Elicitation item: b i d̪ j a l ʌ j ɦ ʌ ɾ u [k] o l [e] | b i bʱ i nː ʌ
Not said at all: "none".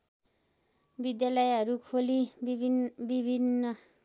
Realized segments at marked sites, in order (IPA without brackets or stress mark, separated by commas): kʰ, i